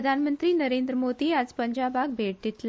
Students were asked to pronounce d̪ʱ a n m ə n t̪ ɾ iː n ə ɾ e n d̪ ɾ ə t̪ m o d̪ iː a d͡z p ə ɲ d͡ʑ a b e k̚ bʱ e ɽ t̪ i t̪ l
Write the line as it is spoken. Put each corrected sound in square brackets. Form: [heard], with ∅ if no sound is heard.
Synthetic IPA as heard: d̪ʱ a n m ə n t̪ ɾ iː n ə ɾ e n d̪ ɾ ə [∅] m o d̪ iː a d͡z p ə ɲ d͡ʑ a b [a] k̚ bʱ e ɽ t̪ i t̪ l